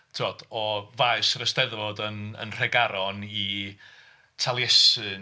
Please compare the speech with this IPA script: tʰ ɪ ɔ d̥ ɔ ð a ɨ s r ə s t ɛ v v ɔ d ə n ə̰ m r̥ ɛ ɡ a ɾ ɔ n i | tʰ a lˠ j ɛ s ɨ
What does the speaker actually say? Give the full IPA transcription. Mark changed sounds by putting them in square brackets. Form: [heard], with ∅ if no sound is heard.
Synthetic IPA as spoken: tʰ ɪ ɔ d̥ ɔ [v] a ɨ s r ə s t ɛ [ð] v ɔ d ə n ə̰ [n] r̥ ɛ ɡ a ɾ ɔ n i | tʰ a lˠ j ɛ s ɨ